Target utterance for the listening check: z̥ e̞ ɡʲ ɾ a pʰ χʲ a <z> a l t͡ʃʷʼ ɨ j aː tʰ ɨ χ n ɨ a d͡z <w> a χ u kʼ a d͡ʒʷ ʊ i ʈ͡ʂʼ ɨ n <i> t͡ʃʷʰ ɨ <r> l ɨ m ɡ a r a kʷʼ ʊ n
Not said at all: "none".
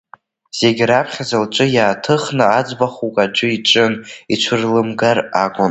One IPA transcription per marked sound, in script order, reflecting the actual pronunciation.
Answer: z, b, i, r

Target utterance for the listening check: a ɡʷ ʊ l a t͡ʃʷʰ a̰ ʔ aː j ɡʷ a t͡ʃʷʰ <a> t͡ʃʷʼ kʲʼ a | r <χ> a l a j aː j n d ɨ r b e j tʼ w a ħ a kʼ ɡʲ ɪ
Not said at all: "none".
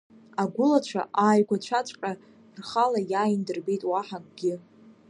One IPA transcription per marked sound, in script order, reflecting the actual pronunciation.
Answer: a, χ

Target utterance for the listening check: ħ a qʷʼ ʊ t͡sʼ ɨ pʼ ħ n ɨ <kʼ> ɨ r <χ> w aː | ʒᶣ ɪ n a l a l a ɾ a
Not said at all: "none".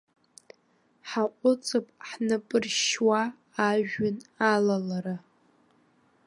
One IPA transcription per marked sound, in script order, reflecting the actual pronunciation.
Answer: pʼ, ʃ

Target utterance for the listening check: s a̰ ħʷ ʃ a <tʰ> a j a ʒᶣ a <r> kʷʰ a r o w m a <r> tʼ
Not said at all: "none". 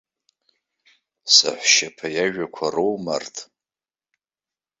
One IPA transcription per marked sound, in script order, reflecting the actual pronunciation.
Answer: pʰ, none, r

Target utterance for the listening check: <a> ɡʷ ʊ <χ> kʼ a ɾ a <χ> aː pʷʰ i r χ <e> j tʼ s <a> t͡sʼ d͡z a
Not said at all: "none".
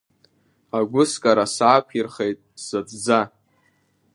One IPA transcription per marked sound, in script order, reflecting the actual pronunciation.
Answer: a, s, s, e, a

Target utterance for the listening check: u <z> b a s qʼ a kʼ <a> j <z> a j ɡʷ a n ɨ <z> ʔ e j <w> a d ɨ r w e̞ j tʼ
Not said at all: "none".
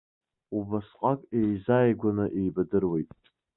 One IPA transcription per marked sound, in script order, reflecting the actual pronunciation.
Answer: none, e, z, none, b

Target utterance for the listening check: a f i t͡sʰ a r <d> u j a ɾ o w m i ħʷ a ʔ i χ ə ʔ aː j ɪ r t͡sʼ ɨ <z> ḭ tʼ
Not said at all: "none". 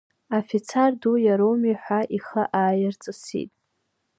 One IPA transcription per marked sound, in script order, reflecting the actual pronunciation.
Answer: d, s

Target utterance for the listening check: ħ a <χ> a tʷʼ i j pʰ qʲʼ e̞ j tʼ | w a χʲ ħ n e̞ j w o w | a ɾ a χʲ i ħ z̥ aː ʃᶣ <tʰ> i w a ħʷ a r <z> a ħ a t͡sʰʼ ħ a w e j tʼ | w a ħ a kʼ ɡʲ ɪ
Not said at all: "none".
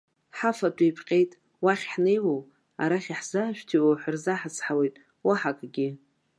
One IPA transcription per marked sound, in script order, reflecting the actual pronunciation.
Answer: f, tʰ, z

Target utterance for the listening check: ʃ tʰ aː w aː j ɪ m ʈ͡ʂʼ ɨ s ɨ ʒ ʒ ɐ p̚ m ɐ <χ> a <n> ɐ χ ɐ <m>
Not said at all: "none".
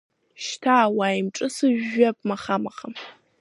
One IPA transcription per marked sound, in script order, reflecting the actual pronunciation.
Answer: χ, m, m

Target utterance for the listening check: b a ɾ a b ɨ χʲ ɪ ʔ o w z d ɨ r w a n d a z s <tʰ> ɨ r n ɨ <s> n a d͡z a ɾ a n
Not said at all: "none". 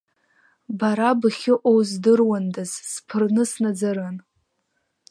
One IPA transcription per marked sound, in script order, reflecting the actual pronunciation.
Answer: pʰ, s

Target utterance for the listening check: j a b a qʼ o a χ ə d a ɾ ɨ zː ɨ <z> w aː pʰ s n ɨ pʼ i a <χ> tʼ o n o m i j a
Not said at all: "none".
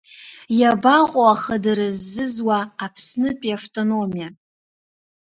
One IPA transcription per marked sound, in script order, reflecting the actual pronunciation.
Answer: z, f

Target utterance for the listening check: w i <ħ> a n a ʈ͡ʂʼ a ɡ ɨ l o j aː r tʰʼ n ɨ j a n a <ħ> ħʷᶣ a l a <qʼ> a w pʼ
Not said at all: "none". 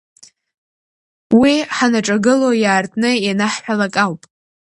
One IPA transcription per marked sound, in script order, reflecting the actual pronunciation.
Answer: ħ, ħ, kʼ

